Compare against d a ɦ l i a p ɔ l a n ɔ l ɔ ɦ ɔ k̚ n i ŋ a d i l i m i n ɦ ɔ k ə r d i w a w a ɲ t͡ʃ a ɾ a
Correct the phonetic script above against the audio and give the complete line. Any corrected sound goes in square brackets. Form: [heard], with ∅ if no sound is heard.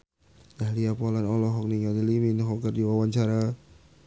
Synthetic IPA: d a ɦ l i a p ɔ l a n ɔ l ɔ ɦ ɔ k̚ n i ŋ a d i l i m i n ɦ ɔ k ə r d i w a w a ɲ t͡ʃ a ɾ a